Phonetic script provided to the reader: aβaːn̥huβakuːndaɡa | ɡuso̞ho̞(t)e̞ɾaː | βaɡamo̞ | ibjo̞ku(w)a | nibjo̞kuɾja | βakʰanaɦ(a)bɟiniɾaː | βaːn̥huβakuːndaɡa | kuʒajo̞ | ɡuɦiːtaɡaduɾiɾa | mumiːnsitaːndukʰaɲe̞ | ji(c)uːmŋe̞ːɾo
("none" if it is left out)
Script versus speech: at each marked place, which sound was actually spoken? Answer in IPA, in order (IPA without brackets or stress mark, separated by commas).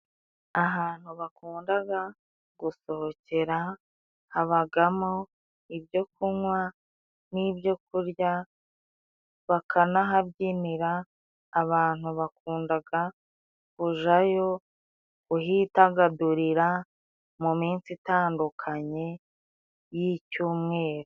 c, w, a, c